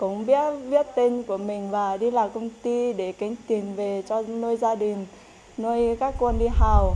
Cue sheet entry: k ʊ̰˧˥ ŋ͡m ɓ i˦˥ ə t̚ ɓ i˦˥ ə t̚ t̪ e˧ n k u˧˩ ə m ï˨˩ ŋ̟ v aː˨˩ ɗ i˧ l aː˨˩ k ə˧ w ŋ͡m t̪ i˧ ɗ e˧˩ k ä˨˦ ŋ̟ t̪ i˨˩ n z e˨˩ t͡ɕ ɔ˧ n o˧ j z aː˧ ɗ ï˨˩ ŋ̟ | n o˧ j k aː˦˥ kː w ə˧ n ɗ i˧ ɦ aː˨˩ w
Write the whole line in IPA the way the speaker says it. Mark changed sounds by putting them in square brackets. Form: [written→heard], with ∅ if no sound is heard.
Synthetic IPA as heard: k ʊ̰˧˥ ŋ͡m ɓ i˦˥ ə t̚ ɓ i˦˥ ə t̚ t̪ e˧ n k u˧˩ ə m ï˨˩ ŋ̟ v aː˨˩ ɗ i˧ l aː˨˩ k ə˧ w ŋ͡m t̪ i˧ ɗ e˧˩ k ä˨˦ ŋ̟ t̪ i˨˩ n [z→v] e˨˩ t͡ɕ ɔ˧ n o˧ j z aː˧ ɗ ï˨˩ ŋ̟ | n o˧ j k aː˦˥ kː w ə˧ n ɗ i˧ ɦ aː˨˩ w